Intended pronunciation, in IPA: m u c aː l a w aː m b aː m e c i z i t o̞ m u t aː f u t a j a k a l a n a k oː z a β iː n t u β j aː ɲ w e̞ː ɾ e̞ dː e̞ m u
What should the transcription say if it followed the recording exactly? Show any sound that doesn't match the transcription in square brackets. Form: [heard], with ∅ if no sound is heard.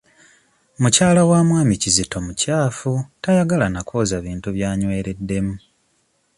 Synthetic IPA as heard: m u c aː l a w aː m [w] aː m [i] c i z i t o̞ m u [c] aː f u t a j a [ɡ] a l a n a k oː z a β iː n t u β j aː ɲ w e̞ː ɾ e̞ dː e̞ m u